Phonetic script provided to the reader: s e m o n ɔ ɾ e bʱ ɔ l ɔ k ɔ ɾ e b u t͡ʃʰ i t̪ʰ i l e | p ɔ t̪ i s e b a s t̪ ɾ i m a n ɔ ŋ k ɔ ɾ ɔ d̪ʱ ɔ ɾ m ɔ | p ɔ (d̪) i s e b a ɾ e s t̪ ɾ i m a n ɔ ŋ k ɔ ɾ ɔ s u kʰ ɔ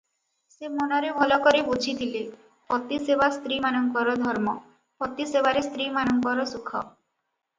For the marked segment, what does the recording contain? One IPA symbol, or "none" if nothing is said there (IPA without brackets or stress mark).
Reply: t̪